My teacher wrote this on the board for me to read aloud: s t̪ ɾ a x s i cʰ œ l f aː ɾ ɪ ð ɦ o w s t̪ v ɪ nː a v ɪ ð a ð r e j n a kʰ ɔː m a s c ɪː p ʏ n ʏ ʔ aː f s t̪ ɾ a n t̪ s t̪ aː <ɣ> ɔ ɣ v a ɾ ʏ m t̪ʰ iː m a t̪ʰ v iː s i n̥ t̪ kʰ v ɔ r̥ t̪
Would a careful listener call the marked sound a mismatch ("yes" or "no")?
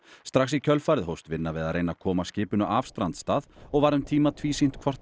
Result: yes